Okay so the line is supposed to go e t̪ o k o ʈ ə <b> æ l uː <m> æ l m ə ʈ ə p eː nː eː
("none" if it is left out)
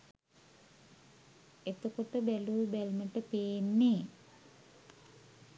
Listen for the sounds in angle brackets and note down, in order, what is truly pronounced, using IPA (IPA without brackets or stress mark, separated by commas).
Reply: b, b